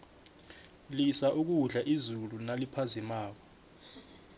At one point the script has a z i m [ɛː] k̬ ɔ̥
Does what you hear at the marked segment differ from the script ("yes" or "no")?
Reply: yes